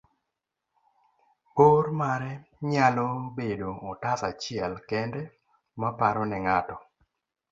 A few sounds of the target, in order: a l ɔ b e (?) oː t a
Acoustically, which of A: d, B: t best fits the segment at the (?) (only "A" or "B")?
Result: A